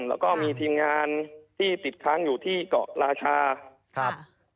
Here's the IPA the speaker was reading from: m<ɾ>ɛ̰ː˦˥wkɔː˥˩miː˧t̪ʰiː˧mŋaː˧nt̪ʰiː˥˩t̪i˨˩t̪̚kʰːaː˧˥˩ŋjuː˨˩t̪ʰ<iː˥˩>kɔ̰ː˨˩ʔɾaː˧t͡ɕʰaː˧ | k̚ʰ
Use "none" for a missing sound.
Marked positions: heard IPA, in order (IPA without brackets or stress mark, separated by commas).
l, iː˥˩